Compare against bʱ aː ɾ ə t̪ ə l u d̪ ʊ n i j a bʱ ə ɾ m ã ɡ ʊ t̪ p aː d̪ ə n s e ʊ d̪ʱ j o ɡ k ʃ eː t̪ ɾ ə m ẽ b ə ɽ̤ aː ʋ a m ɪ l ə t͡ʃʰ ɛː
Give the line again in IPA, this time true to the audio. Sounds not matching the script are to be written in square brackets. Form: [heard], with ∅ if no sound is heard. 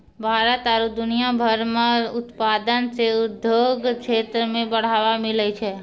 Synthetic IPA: bʱ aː ɾ ə t̪ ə [ɾ] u d̪ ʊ n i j a bʱ ə ɾ m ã [∅] ʊ t̪ p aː d̪ ə n s e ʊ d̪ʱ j o ɡ k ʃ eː t̪ ɾ ə m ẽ b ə ɽ̤ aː ʋ a m ɪ l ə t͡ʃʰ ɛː